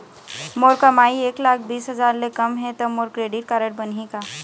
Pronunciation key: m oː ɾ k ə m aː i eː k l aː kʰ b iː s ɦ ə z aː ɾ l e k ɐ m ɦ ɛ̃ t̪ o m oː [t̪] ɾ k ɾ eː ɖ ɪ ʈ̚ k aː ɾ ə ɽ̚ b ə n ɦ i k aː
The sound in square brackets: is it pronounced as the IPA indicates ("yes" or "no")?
no